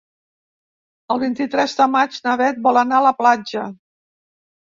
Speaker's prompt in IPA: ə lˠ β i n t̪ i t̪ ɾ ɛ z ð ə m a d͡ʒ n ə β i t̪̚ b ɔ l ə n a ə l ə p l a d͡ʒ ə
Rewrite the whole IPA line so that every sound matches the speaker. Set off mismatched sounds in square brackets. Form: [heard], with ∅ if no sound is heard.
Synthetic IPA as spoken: ə lˠ β i n t̪ i t̪ ɾ ɛ z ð ə m a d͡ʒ n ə β [ɛ] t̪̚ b ɔ l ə n a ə l ə p l a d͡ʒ ə